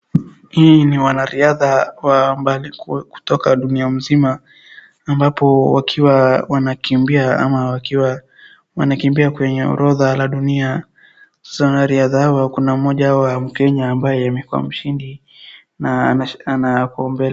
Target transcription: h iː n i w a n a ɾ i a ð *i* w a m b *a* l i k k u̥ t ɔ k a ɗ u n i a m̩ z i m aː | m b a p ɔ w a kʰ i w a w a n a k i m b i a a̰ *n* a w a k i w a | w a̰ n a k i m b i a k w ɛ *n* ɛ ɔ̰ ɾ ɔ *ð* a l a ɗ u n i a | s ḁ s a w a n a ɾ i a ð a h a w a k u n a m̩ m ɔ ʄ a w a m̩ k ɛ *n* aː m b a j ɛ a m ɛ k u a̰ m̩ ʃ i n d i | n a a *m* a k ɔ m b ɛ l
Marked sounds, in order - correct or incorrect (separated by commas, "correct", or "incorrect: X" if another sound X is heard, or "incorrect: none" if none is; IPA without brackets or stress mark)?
incorrect: a, correct, incorrect: m, incorrect: ɲ, correct, incorrect: ɲ, incorrect: n